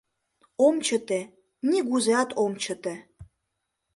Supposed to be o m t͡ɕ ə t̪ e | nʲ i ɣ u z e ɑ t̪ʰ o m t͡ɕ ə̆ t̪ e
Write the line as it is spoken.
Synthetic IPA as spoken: o m t͡ɕ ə t̪ e | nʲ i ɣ u z e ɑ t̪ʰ o m t͡ɕ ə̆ t̪ e